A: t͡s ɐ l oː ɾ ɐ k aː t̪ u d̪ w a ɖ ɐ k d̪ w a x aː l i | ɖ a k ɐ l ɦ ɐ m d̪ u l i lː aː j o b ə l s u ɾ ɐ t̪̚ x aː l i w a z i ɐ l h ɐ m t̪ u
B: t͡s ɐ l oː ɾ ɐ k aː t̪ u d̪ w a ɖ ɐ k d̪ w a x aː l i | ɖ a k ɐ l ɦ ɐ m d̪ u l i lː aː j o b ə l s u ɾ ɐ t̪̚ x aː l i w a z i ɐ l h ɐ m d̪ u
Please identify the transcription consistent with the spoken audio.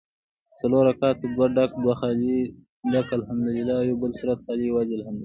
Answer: B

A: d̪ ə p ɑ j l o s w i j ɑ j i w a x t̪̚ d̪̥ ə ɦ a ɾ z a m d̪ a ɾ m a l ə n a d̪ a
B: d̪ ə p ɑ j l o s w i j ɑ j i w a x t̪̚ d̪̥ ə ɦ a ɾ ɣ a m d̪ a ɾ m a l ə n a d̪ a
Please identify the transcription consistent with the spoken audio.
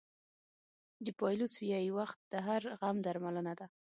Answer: B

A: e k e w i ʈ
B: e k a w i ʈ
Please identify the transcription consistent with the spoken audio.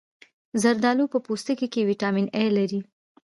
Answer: A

